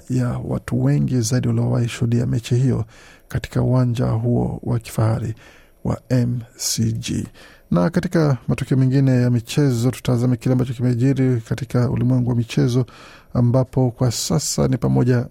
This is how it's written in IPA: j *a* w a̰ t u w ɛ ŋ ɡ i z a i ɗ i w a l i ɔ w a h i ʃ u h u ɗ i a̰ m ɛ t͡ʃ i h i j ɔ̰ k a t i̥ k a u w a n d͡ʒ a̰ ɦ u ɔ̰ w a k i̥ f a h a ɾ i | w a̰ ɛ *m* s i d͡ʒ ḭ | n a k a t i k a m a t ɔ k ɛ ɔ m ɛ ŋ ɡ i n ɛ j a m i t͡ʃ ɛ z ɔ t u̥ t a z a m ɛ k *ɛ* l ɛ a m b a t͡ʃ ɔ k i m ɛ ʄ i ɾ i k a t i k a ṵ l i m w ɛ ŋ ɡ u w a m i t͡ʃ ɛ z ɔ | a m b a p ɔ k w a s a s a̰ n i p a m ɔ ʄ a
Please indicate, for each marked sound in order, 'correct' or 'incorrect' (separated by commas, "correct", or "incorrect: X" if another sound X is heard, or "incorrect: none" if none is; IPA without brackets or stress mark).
correct, correct, incorrect: i